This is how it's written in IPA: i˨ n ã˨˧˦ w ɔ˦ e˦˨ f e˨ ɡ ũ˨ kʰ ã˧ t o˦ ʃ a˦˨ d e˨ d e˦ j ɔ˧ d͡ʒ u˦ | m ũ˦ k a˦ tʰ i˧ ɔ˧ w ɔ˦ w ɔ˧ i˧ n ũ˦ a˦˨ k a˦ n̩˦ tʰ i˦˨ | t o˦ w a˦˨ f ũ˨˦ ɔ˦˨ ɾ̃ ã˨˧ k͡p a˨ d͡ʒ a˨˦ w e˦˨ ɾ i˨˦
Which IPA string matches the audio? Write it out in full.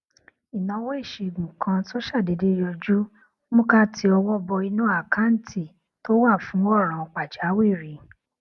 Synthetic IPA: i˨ n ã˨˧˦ w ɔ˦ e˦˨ ʃ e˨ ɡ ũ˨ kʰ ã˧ t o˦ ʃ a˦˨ d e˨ d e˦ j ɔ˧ d͡ʒ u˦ | m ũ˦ k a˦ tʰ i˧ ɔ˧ w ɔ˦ b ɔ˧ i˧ n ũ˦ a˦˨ k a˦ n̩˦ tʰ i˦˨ | t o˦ w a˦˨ f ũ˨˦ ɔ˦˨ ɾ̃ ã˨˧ k͡p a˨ d͡ʒ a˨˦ w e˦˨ ɾ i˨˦